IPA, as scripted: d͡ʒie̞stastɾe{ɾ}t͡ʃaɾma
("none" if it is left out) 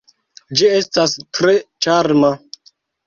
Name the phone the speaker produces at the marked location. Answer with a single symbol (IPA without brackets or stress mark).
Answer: none